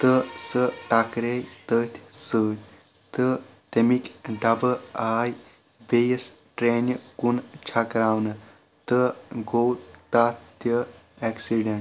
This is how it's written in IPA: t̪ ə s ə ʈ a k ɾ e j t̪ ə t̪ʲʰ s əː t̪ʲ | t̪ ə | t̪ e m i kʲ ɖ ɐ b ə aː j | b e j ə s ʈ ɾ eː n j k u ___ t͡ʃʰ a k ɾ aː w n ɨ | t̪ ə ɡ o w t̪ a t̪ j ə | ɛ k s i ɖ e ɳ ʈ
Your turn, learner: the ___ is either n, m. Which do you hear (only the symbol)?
n